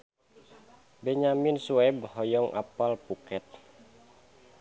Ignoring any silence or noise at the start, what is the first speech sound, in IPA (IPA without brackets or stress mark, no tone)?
b